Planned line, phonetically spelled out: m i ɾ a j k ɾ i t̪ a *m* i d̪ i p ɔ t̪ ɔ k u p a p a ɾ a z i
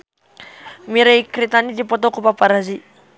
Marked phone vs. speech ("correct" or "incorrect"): incorrect